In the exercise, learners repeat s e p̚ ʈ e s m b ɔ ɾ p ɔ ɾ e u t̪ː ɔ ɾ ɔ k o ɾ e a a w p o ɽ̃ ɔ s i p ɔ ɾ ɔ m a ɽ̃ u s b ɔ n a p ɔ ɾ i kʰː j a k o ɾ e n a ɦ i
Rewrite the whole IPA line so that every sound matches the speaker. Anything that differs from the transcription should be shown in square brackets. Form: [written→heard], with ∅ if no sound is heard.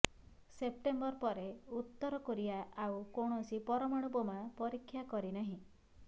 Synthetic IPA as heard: s e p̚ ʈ e [s→∅] m b ɔ ɾ p ɔ ɾ e u t̪ː ɔ ɾ ɔ k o ɾ [e→i] a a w [p→k] o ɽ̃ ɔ s i p ɔ ɾ ɔ m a ɽ̃ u [s→∅] b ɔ [n→m] a p ɔ ɾ i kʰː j a k [o→ɔ] ɾ [e→i] n a ɦ [i→ĩ]